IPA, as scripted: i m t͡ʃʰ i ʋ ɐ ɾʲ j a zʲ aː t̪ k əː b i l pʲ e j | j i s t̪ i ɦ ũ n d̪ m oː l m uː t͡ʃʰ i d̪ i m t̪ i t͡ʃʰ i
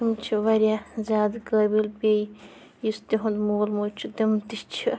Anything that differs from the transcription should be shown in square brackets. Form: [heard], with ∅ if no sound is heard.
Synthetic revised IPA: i m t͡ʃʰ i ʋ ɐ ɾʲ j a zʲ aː [d̪] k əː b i l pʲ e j | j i s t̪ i ɦ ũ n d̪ m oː l m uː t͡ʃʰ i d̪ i m t̪ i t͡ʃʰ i